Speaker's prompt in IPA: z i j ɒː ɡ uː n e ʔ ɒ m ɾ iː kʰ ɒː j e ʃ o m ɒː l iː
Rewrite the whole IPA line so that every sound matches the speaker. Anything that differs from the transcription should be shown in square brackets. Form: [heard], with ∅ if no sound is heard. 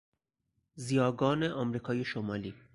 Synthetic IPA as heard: z i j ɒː ɡ [ɒː] n e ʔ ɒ m ɾ iː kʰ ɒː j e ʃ o m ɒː l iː